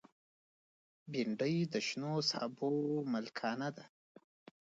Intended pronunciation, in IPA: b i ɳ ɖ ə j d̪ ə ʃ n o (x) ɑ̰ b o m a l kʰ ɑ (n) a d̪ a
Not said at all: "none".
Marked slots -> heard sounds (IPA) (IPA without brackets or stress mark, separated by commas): s, n